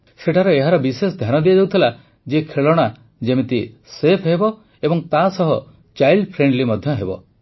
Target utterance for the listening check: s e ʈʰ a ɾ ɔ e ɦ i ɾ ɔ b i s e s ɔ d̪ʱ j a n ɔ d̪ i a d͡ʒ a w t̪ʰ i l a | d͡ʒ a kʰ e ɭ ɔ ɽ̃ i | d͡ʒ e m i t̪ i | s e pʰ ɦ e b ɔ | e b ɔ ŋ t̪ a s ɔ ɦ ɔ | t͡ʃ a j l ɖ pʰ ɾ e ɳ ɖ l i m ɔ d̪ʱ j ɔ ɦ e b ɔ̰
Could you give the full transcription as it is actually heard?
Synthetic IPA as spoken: s e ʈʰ a ɾ ɔ e ɦ a ɾ ɔ b i s e s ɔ d̪ʱ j a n ɔ d̪ i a d͡ʒ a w t̪ʰ i l a | d͡ʒ e kʰ e ɭ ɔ ɽ̃ a | d͡ʒ e m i t̪ i | s e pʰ ɦ e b ɔ | e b ɔ ŋ t̪ a s ɔ ɦ ɔ | t͡ʃ a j l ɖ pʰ ɾ e ɳ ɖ l i m ɔ d̪ʱ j ɔ ɦ e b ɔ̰

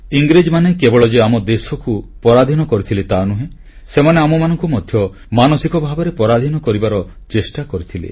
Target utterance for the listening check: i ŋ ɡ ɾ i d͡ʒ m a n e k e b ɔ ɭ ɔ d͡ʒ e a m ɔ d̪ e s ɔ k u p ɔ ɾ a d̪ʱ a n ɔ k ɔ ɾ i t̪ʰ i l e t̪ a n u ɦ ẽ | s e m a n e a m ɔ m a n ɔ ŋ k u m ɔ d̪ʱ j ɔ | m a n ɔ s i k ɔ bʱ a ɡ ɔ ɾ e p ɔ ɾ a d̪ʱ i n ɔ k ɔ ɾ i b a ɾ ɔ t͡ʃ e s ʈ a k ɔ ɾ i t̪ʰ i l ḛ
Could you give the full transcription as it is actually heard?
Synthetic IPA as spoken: i ŋ ɡ ɾ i d͡ʒ m a n e k e b ɔ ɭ ɔ d͡ʒ e a m ɔ d̪ e s ɔ k u p ɔ ɾ a d̪ʱ i n ɔ k ɔ ɾ i t̪ʰ i l e t̪ a n u ɦ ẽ | s e m a n e a m ɔ m a n ɔ ŋ k u m ɔ d̪ʱ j ɔ | m a n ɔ s i k ɔ bʱ a b ɔ ɾ e p ɔ ɾ a d̪ʱ i n ɔ k ɔ ɾ i b a ɾ ɔ t͡ʃ e s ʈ a k ɔ ɾ i t̪ʰ i l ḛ

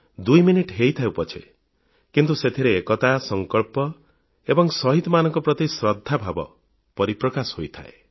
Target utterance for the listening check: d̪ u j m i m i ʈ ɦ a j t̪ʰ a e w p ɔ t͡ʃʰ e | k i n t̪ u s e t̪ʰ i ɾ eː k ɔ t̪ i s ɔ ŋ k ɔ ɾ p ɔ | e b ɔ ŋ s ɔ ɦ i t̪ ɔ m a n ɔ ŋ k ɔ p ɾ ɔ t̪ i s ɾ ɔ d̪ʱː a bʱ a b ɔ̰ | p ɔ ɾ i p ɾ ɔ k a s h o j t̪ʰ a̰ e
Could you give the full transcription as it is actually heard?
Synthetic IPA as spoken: d̪ u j m i n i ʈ ɦ e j t̪ʰ a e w p ɔ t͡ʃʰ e | k i n t̪ u s e t̪ʰ i ɾ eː k ɔ t̪ a s ɔ ŋ k ɔ ɭ p ɔ | e b ɔ ŋ s ɔ ɦ i t̪ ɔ m a n ɔ ŋ k ɔ p ɾ ɔ t̪ i s ɾ ɔ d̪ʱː a bʱ a b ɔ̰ | p ɔ ɾ i p ɾ ɔ k a s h o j t̪ʰ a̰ e

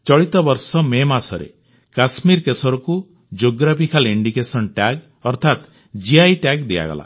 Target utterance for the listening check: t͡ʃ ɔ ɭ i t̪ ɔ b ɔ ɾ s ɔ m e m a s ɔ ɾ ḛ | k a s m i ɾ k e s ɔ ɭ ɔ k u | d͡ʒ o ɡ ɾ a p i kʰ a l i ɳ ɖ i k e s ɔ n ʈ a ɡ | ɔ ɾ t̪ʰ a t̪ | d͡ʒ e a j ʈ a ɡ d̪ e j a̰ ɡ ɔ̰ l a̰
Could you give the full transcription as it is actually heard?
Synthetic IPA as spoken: t͡ʃ ɔ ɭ i t̪ ɔ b ɔ ɾ s ɔ m e m a s ɔ ɾ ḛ | k a s m i ɾ k e s ɔ ɾ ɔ k u | d͡ʒ o ɡ ɾ a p i kʰ a l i ɳ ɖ i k e s ɔ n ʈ a ɡ | ɔ ɾ t̪ʰ a t̪ | d͡ʒ i a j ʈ a ɡ d̪ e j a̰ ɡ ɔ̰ l a̰

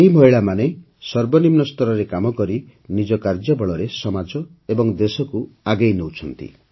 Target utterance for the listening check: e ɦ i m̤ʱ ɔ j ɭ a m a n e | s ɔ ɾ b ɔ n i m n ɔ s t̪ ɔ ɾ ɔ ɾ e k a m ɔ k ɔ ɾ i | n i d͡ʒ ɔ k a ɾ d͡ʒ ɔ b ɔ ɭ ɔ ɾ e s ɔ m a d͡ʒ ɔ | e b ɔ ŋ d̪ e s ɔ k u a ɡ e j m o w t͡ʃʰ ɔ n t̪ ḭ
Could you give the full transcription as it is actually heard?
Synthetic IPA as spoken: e ɦ i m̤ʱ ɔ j ɭ a m a n e | s ɔ ɾ b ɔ n i m n ɔ s t̪ ɔ ɾ ɔ ɾ e k a m ɔ k ɔ ɾ i | n i d͡ʒ ɔ k a ɾ d͡ʒ ɔ b ɔ ɭ ɔ ɾ e s ɔ m a d͡ʒ ɔ | e b ɔ ŋ d̪ e s ɔ k u a ɡ e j n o w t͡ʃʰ ɔ n t̪ ḭ

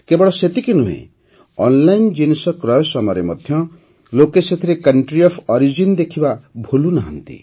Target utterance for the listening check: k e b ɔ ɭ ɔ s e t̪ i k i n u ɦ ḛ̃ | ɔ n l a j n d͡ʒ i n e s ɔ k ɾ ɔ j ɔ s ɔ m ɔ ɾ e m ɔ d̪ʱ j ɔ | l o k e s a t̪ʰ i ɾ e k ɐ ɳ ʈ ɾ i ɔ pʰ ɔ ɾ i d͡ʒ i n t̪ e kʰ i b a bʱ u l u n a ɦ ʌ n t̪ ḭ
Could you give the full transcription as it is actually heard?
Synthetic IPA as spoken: k e b ɔ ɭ ɔ s e t̪ i k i n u ɦ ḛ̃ | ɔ n l a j n d͡ʒ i n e s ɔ k ɾ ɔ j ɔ s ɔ m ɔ ɾ e m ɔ d̪ʱ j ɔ | l o k e s e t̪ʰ i ɾ e k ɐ ɳ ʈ ɾ i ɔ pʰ ɔ ɾ i d͡ʒ i n d̪ e kʰ i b a bʱ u l u n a ɦ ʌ n t̪ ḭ

